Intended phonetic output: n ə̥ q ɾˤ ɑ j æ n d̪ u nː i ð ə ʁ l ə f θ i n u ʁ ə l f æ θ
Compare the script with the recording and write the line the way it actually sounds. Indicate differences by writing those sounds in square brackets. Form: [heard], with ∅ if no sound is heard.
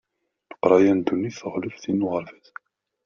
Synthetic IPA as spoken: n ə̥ q ɾˤ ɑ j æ n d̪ u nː i [θ] ə ʁ l ə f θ i n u ʁ ə [ɾ] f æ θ